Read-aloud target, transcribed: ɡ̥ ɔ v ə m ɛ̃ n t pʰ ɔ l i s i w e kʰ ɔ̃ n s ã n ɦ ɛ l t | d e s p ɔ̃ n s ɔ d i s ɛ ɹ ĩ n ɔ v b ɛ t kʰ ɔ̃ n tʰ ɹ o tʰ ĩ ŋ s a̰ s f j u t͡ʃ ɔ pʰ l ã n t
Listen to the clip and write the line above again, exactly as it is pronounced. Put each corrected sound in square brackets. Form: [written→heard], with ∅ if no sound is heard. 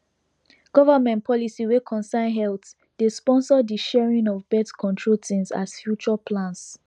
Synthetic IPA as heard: ɡ̥ ɔ v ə m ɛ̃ n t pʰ ɔ l i s i w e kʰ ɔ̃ n s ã n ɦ ɛ l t | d e s p ɔ̃ n s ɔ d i [s→ʃ] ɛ ɹ ĩ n ɔ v b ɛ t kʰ ɔ̃ n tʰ ɹ o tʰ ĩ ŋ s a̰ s f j u t͡ʃ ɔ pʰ l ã n [t→s]